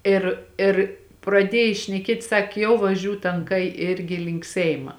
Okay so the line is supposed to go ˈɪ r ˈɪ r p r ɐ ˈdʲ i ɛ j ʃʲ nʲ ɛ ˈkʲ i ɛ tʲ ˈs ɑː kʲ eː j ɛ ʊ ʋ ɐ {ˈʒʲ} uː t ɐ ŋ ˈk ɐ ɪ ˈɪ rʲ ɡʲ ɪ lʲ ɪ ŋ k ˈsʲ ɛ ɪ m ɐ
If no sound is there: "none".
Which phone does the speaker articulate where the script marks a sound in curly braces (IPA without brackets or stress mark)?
ʒʲ